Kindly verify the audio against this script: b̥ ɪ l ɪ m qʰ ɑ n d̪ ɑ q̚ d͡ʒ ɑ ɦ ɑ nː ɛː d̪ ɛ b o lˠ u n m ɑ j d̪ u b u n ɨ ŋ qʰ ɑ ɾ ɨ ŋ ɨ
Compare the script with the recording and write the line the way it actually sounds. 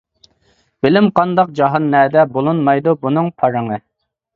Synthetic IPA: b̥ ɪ l ɪ m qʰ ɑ n d̪ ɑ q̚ d͡ʒ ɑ ɦ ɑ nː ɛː d̪ ɛ b o lˠ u n m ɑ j d̪ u b u n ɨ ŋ pʰ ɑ ɾ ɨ ŋ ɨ